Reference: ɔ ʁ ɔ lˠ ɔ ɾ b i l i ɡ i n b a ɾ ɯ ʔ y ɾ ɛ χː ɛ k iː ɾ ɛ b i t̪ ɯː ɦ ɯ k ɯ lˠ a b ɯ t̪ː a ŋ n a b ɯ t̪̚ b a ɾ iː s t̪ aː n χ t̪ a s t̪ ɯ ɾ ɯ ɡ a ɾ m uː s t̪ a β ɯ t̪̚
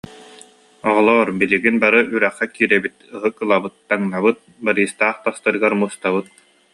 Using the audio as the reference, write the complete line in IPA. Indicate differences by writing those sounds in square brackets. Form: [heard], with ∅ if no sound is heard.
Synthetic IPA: ɔ ʁ ɔ lˠ ɔ ɾ b i l i ɡ i n b a ɾ ɯ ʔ y ɾ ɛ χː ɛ k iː ɾ ɛ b i t̪ [ɯ] ɦ ɯ k ɯ lˠ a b ɯ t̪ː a ŋ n a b ɯ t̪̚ b a ɾ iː s t̪ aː [∅] χ t̪ a s t̪ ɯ ɾ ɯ ɡ a ɾ m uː s t̪ a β ɯ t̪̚